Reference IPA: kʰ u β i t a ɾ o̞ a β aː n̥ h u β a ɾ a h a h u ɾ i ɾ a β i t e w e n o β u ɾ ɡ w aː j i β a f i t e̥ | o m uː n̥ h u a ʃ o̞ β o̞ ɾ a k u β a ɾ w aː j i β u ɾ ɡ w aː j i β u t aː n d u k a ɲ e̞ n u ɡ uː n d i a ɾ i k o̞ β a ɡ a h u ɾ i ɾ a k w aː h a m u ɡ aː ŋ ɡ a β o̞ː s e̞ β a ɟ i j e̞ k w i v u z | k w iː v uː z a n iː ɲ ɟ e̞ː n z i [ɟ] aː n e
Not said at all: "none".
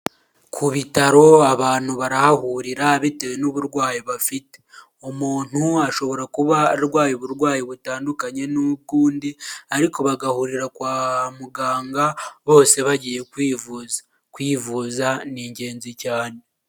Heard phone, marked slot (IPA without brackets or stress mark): c